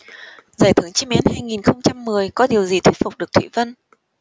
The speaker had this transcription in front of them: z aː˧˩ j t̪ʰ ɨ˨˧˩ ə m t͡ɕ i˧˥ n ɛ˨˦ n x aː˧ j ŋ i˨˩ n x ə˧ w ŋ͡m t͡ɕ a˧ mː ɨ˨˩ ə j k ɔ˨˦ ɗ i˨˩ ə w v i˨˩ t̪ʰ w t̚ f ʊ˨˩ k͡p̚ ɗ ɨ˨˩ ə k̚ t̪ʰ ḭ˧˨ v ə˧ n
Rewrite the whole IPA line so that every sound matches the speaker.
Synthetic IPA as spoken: z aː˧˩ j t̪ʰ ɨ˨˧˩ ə ŋ t͡ɕ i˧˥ m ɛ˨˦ n h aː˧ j ŋ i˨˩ n x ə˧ w ŋ͡m t͡ɕ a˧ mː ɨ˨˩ ə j k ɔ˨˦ ɗ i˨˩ ə w z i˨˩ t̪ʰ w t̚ f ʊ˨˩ k͡p̚ ɗ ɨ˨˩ ə k̚ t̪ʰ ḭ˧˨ v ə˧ n